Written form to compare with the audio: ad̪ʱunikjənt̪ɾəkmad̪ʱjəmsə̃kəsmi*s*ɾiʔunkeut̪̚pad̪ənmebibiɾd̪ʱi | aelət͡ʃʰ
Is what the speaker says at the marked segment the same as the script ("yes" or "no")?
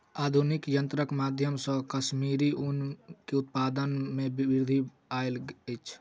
no